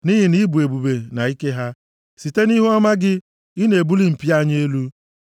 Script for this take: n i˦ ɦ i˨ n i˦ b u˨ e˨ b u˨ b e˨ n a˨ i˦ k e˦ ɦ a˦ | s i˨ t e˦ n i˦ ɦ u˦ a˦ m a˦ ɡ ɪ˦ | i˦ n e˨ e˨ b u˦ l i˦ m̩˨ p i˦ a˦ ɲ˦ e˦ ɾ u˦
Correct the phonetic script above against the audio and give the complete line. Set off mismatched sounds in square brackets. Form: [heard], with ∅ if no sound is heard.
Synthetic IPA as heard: n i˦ ɦ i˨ n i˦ b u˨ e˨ b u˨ b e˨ n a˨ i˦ k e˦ ɦ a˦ | s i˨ t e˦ n i˦ ɦ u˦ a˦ m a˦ ɡ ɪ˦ | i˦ n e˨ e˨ b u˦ l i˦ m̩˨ p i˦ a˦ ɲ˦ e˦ [l] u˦